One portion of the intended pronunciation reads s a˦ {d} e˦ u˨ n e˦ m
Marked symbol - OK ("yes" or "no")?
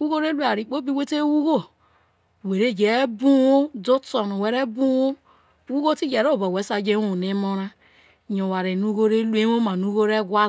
no